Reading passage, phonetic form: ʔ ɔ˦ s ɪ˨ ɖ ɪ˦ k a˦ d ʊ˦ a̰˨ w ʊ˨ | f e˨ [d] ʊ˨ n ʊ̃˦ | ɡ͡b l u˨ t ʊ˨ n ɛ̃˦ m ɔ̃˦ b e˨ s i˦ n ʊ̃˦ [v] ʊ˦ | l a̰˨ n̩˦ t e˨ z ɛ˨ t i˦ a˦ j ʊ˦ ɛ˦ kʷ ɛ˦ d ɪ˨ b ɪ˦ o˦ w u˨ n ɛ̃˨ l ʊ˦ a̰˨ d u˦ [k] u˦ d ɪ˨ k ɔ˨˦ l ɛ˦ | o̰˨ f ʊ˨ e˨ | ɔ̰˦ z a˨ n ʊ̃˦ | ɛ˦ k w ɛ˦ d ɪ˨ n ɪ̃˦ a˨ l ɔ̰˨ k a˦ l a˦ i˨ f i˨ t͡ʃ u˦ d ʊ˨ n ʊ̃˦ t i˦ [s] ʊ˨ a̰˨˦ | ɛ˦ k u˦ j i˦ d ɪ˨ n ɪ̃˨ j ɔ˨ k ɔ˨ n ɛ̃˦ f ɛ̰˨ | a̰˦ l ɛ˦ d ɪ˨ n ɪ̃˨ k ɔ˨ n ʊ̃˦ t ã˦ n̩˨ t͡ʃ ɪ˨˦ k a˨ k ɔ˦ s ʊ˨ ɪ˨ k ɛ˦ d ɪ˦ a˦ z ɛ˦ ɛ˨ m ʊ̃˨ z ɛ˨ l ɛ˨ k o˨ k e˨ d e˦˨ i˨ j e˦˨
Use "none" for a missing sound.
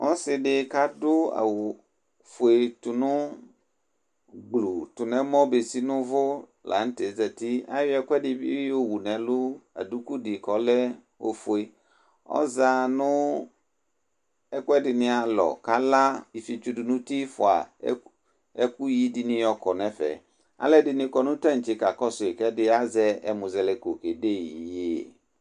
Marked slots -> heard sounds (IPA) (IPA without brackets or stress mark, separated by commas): t, v, k, f